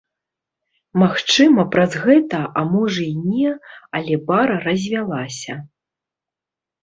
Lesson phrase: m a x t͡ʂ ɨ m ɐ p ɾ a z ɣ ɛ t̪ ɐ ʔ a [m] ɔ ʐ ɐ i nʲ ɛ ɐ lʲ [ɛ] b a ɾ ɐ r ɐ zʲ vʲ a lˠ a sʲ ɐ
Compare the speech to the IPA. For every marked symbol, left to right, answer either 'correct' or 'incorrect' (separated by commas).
correct, correct